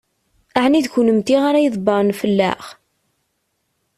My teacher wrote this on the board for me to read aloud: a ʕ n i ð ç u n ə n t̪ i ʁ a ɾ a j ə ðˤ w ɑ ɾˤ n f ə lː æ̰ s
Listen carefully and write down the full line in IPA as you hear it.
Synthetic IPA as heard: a ʕ n i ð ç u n ə m t̪ i ʁ a ɾ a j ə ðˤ b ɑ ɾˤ n f ə lː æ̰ χ